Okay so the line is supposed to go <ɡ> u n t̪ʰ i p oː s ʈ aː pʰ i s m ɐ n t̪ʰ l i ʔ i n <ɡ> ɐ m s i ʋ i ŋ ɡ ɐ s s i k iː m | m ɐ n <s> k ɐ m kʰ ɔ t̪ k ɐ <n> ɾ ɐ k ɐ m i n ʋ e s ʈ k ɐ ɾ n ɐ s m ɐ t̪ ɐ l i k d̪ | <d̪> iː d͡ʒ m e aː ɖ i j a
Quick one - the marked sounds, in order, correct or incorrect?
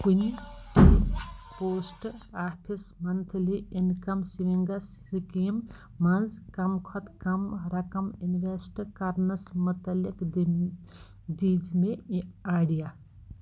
incorrect, incorrect, incorrect, incorrect, correct

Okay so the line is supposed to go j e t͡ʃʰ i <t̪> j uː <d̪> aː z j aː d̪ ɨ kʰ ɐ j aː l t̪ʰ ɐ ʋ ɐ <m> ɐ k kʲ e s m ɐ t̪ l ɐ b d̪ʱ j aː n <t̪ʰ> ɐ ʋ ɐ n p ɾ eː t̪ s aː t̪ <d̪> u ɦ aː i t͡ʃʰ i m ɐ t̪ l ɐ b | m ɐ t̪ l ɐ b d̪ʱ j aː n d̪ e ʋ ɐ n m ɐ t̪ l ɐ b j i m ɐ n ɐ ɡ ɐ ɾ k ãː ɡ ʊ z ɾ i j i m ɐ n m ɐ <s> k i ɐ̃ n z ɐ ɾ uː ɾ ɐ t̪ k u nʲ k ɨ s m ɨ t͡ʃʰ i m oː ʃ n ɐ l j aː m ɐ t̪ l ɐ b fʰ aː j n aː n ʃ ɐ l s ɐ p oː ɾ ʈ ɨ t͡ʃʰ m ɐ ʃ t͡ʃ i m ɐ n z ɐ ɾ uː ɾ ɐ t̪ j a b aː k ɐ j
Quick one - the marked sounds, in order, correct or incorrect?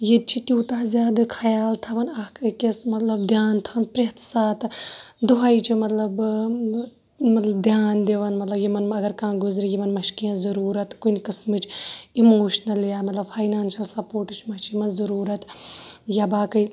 correct, incorrect, incorrect, correct, correct, incorrect

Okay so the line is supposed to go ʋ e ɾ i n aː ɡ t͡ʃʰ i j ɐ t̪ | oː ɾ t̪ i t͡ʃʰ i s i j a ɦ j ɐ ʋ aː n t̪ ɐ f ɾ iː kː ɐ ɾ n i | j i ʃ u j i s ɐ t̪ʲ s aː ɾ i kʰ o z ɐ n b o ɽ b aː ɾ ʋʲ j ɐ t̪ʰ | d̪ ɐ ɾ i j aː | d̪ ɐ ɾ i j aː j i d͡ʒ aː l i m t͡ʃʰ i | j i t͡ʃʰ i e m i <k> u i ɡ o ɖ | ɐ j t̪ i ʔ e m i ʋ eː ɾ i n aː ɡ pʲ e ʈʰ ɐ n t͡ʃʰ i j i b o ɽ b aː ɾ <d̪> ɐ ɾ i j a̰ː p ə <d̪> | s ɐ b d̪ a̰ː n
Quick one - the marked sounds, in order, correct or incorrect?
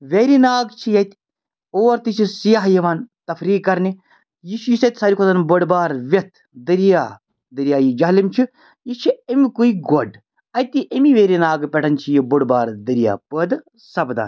correct, correct, correct

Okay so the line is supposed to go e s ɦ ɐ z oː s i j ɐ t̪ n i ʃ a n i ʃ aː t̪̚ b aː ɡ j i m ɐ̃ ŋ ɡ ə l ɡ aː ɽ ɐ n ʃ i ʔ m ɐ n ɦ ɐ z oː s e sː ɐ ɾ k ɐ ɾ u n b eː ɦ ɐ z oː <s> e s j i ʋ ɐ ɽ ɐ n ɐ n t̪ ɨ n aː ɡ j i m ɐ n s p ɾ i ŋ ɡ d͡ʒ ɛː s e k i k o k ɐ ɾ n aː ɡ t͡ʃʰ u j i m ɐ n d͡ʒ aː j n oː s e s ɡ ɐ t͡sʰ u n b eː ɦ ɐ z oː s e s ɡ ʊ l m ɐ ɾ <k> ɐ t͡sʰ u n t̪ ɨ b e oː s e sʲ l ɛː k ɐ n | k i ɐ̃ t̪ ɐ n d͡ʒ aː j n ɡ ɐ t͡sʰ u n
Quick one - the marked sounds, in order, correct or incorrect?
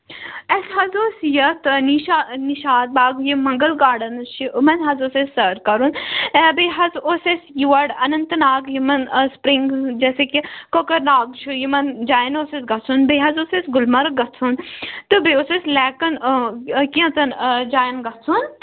correct, incorrect

